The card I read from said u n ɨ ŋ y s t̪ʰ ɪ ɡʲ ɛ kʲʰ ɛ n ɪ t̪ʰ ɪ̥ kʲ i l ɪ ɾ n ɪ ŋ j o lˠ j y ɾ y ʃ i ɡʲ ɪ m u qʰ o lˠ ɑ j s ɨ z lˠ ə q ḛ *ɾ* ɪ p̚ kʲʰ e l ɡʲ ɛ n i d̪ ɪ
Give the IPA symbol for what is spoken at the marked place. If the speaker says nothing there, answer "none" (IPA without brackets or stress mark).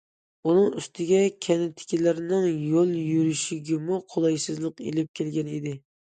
l